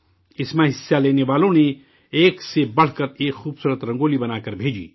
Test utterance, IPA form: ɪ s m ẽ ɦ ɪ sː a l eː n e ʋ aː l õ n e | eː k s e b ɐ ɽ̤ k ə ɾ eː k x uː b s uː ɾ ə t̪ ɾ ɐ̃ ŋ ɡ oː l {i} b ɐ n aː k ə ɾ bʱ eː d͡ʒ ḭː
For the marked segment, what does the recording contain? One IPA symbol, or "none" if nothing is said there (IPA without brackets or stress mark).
i